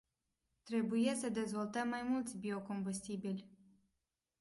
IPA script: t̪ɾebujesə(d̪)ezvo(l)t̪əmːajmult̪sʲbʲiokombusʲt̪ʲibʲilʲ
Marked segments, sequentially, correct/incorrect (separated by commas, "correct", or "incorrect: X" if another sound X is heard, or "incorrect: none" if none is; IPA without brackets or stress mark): correct, correct